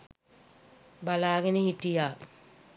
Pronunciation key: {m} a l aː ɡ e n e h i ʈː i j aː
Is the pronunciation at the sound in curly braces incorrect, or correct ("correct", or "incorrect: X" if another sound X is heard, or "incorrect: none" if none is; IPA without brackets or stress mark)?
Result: incorrect: b